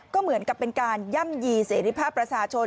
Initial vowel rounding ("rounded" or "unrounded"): rounded